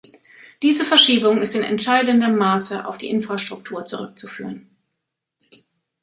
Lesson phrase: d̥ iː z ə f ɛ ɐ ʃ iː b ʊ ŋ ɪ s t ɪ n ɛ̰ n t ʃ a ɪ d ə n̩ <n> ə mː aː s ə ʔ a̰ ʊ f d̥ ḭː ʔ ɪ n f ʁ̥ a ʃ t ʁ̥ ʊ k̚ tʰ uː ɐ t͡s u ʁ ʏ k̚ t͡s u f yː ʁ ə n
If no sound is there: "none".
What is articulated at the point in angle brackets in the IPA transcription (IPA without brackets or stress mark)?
d